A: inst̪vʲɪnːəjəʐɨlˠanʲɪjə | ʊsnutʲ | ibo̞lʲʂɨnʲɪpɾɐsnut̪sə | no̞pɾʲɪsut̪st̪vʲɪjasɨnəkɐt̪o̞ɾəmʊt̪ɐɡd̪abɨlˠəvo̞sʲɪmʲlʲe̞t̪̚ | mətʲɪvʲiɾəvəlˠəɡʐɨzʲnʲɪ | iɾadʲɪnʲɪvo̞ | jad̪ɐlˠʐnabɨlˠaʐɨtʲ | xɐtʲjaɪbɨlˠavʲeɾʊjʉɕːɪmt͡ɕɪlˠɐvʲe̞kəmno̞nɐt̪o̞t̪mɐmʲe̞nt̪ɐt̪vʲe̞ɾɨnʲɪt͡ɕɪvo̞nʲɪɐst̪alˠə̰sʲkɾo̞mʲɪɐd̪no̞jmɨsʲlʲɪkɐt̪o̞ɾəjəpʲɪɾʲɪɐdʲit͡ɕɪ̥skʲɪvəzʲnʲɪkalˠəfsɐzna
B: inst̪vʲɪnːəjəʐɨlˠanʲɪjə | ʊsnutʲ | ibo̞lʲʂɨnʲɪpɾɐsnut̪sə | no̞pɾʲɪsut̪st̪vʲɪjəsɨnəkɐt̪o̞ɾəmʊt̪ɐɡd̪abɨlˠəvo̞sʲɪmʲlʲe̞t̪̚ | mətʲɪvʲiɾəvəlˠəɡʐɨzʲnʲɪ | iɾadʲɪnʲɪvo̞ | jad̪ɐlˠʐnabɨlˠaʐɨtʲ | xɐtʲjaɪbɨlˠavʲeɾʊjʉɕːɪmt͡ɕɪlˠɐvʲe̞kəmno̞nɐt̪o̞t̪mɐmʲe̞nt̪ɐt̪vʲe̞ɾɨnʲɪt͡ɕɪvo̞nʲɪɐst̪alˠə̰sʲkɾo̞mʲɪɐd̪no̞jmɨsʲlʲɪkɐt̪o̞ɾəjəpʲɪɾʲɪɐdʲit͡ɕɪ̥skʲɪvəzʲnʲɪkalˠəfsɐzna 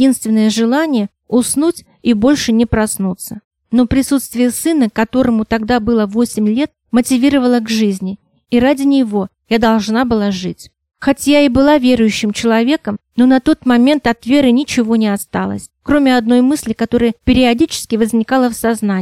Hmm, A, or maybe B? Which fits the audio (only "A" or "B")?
B